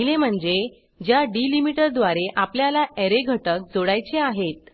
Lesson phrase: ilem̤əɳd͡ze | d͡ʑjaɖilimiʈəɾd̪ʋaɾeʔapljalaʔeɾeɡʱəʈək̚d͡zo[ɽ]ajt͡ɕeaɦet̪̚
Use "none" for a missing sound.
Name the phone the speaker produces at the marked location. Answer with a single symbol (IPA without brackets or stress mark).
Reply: ɽ